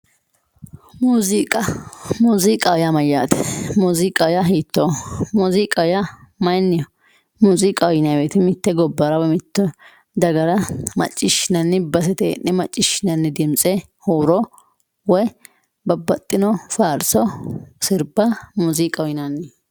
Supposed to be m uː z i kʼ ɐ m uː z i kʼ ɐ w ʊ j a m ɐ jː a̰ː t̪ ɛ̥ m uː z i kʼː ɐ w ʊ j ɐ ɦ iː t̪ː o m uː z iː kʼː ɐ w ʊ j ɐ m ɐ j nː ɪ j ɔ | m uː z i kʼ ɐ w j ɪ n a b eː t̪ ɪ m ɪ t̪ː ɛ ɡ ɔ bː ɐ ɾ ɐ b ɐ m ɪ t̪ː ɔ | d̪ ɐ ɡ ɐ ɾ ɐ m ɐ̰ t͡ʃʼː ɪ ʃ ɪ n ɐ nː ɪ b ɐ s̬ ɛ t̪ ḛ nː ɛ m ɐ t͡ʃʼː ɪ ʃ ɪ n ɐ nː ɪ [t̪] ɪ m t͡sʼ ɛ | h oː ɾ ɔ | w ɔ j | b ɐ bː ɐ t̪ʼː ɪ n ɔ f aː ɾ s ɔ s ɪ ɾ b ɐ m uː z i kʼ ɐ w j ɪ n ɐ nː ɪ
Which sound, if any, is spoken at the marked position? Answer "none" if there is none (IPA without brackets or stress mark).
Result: d̪